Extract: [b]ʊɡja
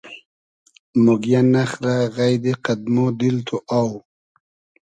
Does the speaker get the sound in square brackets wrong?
yes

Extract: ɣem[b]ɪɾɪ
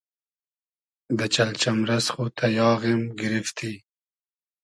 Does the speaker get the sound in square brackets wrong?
yes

